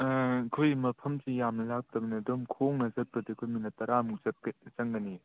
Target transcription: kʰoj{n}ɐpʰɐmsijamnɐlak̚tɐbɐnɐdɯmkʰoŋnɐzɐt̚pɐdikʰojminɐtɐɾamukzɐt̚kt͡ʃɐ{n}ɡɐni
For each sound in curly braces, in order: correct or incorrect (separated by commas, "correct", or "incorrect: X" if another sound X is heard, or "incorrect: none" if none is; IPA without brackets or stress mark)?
incorrect: m, incorrect: ŋ